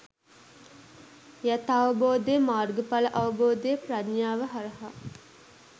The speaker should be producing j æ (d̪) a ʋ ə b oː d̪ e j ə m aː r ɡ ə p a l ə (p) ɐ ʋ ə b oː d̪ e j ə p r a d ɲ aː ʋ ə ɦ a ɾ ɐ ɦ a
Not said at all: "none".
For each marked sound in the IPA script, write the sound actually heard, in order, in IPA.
t̪, ʔ

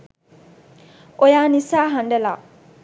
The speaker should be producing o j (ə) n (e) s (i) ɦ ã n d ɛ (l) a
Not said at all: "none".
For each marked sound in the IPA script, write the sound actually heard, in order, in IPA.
a, i, a, l

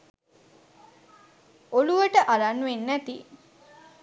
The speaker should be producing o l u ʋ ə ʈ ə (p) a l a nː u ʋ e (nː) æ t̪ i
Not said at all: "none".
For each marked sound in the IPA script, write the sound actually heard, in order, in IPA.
ʔ, nː

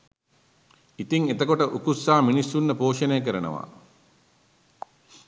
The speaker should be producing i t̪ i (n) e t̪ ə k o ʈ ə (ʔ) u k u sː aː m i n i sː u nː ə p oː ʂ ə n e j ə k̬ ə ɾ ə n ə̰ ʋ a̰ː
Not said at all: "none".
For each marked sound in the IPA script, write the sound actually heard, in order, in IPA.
ŋ, ʔ

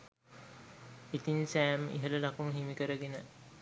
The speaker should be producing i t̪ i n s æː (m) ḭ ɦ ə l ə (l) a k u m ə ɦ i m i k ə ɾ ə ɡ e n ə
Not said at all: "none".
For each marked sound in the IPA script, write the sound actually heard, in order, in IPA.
m, l

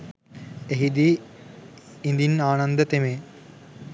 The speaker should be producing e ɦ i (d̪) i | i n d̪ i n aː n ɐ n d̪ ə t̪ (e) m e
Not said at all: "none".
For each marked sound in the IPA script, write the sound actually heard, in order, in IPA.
d̪, e

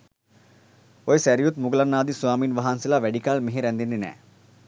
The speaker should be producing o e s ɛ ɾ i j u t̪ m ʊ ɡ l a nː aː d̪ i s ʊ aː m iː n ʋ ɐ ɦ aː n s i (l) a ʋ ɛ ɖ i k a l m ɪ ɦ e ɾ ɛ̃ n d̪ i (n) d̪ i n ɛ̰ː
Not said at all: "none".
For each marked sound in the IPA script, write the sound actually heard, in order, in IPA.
l, n

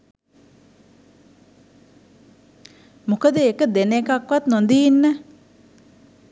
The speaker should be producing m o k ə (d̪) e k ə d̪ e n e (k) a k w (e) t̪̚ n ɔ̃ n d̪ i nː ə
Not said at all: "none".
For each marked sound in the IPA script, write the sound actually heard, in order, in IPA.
d̪, k, a

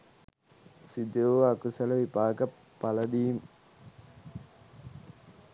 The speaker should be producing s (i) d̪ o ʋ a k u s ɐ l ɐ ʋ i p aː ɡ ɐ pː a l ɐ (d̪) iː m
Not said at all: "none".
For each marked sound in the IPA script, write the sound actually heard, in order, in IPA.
i, d̪

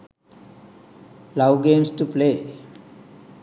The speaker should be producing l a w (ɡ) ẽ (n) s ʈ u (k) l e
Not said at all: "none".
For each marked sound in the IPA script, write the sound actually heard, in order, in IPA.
ɡ, m, p

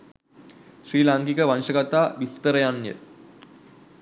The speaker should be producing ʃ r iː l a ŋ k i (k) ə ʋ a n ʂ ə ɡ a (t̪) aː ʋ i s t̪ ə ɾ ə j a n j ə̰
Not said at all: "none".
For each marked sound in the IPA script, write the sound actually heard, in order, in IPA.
k, t̪

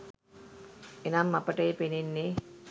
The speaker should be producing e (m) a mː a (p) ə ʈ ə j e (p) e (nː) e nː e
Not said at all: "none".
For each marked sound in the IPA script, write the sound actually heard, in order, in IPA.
n, p, p, n

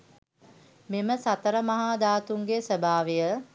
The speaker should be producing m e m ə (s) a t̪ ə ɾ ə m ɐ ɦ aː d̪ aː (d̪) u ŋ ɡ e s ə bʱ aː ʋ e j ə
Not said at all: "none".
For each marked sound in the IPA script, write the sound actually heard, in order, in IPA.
s, t̪

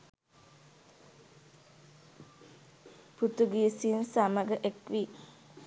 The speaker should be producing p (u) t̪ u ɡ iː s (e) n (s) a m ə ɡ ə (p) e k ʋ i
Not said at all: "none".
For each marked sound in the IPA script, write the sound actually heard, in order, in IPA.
u, i, s, ʔ

